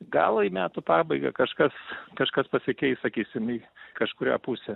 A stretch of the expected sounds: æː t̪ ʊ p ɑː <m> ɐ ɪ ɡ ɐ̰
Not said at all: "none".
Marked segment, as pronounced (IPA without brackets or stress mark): b